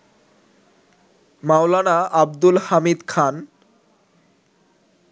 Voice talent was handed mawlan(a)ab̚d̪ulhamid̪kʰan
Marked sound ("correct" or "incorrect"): correct